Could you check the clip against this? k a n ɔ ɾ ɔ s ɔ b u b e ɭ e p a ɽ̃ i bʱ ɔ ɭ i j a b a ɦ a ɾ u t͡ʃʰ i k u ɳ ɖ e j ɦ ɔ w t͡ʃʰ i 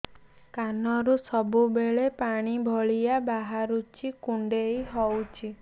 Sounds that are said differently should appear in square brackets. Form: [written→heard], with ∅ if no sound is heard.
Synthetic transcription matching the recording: k a n ɔ ɾ [ɔ→u] s ɔ b u b e ɭ e p a ɽ̃ i bʱ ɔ ɭ i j a b a ɦ a ɾ u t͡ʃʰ i k u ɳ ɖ e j ɦ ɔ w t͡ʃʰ i